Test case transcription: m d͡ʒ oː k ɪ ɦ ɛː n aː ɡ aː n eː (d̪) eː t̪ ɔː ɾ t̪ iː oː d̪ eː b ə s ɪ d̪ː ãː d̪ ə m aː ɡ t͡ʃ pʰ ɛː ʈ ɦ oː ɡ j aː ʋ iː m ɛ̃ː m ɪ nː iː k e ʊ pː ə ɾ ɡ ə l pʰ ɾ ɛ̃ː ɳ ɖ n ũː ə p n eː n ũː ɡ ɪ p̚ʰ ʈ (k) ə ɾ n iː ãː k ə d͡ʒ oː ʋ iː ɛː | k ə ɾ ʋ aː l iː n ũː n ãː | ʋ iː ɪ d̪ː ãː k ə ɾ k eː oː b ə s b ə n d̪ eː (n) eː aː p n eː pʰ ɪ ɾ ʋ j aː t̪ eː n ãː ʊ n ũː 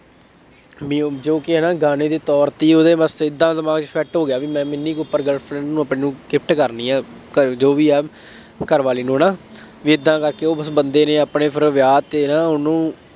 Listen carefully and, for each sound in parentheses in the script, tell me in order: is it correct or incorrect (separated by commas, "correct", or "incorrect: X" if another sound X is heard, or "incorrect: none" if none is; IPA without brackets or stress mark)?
correct, correct, correct